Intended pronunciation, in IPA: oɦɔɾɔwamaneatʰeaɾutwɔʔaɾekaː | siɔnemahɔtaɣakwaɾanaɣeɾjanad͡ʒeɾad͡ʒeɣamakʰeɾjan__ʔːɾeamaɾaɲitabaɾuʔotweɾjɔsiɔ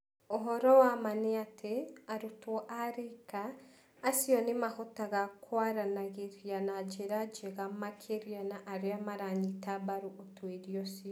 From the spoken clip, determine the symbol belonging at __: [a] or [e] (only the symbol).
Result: a